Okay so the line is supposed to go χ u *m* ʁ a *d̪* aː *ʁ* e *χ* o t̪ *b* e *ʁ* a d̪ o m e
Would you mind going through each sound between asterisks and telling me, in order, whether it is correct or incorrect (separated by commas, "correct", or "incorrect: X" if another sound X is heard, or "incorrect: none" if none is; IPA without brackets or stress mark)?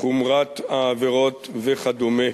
correct, incorrect: t̪, incorrect: v, incorrect: ʁ, incorrect: v, incorrect: χ